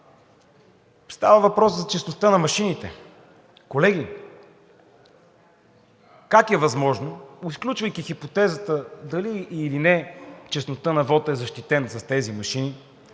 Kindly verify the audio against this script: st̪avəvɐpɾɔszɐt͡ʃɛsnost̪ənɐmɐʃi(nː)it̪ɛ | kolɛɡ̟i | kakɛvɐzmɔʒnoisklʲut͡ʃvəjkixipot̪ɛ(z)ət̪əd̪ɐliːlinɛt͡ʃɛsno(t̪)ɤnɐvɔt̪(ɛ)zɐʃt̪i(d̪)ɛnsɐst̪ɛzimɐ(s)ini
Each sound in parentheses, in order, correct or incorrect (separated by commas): incorrect, correct, correct, correct, incorrect, incorrect